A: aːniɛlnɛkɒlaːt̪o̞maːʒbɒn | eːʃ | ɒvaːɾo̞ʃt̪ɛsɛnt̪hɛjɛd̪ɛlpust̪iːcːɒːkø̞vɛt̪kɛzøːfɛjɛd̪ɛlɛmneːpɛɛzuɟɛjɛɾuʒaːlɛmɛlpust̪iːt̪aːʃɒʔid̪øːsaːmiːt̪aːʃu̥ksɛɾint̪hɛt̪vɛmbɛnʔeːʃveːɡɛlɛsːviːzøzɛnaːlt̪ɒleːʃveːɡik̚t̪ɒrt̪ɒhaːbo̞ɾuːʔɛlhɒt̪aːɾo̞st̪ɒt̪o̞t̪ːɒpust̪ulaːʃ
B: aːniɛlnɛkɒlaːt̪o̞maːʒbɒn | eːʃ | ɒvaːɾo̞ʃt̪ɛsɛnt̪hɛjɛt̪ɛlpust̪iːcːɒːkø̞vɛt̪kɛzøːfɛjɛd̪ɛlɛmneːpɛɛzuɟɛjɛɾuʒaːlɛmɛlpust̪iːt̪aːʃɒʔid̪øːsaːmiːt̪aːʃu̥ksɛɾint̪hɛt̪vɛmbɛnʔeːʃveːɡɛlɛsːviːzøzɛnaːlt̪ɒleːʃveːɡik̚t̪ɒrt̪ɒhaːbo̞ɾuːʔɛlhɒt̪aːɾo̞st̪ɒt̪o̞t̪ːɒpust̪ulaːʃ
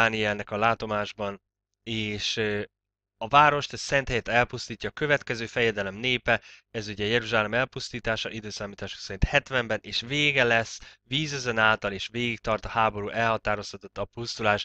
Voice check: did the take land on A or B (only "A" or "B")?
B